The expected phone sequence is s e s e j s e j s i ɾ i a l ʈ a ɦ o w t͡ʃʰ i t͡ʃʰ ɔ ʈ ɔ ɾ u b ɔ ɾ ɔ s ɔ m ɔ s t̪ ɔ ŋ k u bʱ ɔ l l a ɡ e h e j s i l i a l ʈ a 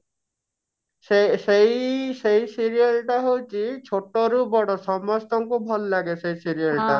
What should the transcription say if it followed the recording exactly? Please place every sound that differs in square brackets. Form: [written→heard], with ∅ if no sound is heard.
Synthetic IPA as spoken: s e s e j s e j s i ɾ i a l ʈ a ɦ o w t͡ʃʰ i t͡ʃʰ [ɔ→o] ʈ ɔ ɾ u b ɔ [ɾ→ɽ] ɔ s ɔ m ɔ s t̪ ɔ ŋ k u bʱ ɔ l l a ɡ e [h→s] e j s i [l→ɾ] i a l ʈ a